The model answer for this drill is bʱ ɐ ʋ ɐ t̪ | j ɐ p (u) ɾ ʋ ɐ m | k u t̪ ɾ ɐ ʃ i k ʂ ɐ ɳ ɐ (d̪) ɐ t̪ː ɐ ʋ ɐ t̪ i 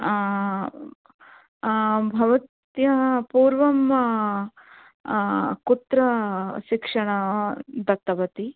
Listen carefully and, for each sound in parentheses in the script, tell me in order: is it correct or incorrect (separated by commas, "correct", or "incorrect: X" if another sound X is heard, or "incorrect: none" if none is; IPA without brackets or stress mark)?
incorrect: uː, correct